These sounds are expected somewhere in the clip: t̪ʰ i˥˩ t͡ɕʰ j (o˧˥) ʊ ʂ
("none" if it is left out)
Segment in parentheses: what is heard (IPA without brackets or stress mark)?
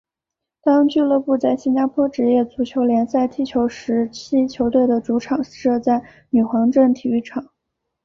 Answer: o˧˥